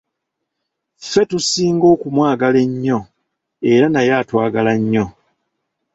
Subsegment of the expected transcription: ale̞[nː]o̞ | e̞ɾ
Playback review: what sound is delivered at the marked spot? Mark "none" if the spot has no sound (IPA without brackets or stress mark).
ɲː